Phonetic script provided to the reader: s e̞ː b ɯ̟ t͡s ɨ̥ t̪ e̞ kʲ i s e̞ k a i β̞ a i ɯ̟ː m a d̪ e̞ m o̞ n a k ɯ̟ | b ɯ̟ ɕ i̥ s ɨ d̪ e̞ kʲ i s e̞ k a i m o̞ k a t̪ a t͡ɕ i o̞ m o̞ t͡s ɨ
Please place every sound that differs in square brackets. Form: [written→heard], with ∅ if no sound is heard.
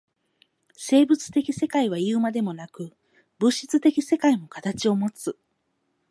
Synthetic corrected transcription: s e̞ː b ɯ̟ t͡s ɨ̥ t̪ e̞ kʲ i s e̞ k a i β̞ a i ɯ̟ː m a d̪ e̞ m o̞ n a k ɯ̟ | b ɯ̟ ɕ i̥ [s→t͡s] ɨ [d̪→t̪] e̞ kʲ i s e̞ k a i m o̞ k a t̪ a t͡ɕ i o̞ m o̞ t͡s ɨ